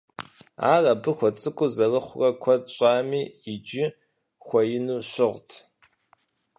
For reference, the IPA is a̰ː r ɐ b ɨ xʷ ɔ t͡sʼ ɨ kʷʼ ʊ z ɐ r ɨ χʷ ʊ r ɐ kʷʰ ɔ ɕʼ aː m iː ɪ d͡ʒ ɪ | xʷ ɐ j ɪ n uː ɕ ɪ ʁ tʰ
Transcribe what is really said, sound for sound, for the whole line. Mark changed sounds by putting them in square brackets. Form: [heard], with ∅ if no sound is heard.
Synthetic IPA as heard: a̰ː r ɐ b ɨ xʷ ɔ t͡sʼ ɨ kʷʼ ʊ z ɐ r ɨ χʷ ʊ r ɐ kʷʰ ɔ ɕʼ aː m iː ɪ d͡ʒ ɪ | xʷ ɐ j ɪ n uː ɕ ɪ ʁ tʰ